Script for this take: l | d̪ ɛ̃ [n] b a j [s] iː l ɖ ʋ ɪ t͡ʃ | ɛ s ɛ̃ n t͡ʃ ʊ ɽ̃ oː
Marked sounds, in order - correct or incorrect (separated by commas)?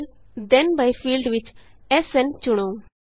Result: correct, incorrect